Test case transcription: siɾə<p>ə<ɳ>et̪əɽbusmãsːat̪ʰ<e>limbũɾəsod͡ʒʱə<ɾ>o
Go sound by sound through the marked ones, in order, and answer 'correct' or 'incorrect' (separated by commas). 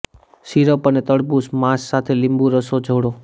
correct, incorrect, correct, incorrect